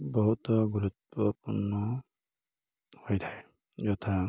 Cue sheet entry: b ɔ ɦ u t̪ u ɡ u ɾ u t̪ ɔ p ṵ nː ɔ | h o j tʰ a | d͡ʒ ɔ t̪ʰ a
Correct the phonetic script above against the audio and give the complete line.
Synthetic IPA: b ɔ ɦ u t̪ ɔ ɡ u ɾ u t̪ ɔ p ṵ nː ɔ | h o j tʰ a | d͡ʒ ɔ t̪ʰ a